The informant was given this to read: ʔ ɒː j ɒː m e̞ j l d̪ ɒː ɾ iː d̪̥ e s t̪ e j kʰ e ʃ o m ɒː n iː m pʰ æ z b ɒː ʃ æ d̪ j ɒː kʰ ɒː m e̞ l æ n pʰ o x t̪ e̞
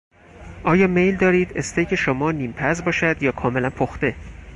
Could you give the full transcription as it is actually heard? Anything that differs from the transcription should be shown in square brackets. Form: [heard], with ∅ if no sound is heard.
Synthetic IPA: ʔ ɒː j ɒː m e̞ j l d̪ ɒː ɾ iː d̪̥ e s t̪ e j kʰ e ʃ o m ɒː n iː m pʰ æ z b ɒː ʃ æ d̪ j ɒː kʰ ɒː m e̞ l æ n pʰ o x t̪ e̞